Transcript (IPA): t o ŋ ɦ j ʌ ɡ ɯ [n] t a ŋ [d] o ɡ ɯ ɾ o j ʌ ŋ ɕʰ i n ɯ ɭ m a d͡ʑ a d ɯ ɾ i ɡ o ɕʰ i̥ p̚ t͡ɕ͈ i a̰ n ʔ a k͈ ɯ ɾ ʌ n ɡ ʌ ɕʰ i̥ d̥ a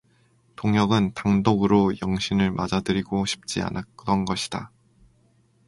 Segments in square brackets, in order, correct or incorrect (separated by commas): correct, correct